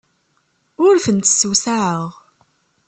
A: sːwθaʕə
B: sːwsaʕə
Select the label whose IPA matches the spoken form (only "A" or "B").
B